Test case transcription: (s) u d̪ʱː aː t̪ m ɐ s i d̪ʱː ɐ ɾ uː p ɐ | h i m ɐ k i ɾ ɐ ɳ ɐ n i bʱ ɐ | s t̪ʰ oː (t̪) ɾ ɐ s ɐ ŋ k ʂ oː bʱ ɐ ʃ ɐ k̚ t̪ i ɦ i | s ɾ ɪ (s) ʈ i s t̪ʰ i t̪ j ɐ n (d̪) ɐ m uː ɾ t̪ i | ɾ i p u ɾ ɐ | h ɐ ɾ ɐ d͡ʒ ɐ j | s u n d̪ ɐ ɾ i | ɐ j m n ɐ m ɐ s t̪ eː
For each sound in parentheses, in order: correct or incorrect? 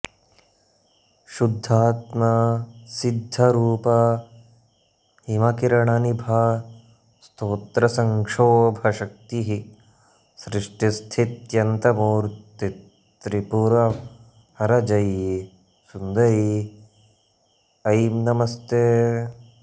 incorrect: ʃ, correct, incorrect: ʂ, incorrect: t̪

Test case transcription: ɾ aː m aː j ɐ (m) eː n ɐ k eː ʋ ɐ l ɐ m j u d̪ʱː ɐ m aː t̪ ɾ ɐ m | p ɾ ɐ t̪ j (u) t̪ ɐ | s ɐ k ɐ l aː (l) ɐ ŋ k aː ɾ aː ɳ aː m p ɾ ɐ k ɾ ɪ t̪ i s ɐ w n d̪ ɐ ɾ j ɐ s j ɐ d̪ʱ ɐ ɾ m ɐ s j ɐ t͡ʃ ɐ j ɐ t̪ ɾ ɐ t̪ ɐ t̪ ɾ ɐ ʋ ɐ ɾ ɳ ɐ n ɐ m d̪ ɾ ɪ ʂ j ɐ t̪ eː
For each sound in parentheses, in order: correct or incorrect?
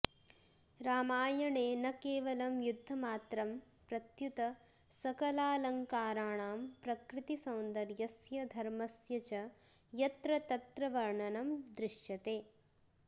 incorrect: ɳ, correct, correct

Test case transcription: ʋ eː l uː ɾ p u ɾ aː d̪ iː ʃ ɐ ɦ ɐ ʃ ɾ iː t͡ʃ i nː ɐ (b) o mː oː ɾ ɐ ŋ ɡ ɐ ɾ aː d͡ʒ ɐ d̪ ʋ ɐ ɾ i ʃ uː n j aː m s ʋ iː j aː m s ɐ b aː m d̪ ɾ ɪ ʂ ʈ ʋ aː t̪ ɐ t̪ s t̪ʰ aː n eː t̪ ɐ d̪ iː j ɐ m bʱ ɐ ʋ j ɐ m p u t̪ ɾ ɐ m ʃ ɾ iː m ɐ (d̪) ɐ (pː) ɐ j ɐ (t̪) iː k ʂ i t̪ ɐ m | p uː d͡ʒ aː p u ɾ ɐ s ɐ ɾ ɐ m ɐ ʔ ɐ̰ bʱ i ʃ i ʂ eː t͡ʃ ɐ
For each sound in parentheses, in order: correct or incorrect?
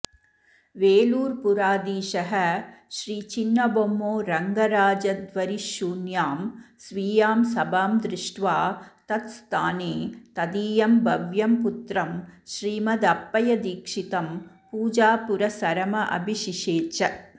correct, correct, correct, incorrect: d̪

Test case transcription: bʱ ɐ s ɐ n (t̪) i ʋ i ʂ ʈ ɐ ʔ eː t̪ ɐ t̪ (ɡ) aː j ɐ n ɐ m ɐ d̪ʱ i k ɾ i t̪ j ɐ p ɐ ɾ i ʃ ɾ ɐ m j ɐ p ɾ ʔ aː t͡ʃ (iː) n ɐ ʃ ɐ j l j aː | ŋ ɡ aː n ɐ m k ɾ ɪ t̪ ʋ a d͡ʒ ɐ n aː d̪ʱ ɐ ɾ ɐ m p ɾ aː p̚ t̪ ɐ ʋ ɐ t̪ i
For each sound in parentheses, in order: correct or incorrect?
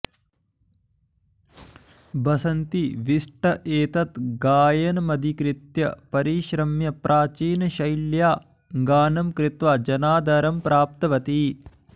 correct, correct, correct

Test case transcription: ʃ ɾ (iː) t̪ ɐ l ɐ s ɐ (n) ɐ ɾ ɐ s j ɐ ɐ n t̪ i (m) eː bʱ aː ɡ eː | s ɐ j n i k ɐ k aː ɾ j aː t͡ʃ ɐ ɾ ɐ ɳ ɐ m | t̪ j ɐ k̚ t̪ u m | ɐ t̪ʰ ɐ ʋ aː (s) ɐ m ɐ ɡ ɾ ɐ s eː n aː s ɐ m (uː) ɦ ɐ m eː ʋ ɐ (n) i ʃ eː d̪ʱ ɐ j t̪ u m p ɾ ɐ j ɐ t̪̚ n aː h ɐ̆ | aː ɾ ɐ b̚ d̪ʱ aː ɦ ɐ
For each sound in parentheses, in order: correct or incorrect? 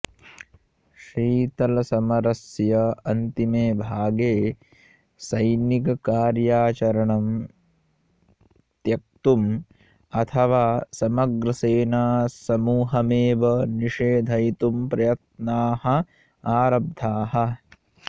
correct, incorrect: m, correct, correct, correct, correct

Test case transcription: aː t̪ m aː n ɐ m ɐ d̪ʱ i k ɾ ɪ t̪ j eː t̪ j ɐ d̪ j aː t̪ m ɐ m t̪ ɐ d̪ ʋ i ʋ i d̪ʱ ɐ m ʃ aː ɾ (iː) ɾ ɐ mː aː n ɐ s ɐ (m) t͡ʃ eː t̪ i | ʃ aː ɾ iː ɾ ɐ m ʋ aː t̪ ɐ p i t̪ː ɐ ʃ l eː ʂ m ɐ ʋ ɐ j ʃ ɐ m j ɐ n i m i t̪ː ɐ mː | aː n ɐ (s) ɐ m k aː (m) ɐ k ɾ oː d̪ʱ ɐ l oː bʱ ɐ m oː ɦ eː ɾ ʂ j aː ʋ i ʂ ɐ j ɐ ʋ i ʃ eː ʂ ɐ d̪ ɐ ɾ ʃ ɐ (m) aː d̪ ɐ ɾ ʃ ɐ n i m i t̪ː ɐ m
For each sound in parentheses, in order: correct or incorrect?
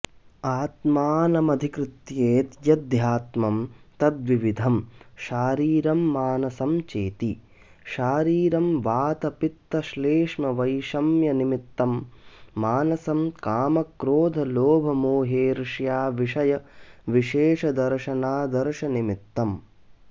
correct, correct, correct, correct, incorrect: n

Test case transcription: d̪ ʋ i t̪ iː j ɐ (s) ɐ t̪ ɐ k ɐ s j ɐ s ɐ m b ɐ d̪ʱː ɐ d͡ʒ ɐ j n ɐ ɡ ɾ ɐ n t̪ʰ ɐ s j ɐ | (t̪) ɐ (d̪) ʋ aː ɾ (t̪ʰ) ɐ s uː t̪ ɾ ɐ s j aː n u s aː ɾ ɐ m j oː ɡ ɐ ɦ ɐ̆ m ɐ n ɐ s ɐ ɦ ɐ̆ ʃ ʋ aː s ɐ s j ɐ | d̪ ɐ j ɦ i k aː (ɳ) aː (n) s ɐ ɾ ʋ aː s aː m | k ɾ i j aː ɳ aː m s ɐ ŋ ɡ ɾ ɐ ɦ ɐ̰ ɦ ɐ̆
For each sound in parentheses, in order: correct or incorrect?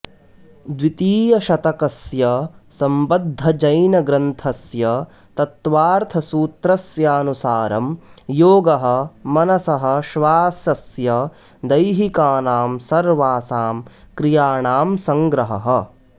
incorrect: ʃ, correct, incorrect: t̪, correct, incorrect: n, incorrect: m

